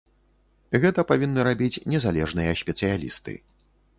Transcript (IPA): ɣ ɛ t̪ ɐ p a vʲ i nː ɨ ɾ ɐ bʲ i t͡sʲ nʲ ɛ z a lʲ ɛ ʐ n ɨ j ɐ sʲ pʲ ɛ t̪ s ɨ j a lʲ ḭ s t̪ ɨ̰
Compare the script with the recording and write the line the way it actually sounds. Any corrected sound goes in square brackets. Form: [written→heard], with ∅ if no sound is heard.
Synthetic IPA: ɣ ɛ t̪ ɐ p a vʲ i nː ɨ ɾ [ɐ→a] bʲ i t͡sʲ nʲ ɛ z a lʲ ɛ ʐ n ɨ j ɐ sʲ pʲ ɛ t̪ s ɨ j a lʲ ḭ s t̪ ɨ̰